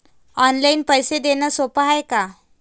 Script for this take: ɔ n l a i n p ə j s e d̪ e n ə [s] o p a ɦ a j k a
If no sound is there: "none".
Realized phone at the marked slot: s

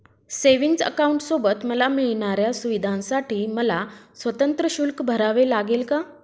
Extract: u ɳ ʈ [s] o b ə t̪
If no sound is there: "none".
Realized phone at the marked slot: s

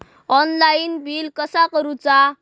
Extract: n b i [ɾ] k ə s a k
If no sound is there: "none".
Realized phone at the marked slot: l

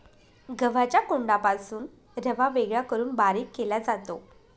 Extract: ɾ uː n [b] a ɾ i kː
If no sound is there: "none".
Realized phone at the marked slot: b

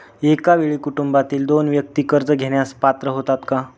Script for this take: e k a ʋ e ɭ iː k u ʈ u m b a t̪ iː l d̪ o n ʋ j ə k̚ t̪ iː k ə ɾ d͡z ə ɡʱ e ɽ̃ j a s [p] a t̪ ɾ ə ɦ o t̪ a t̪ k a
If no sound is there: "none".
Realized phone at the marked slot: p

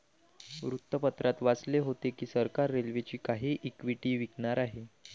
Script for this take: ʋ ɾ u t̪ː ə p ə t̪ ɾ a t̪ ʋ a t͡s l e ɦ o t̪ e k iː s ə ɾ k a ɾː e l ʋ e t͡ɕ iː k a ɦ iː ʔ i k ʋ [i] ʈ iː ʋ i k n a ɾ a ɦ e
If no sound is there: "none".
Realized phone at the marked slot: i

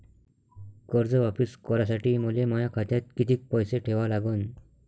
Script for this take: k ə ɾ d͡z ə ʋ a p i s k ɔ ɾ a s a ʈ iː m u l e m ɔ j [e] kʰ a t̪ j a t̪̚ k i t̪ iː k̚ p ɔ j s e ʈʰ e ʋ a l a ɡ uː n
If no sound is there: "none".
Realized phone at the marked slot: a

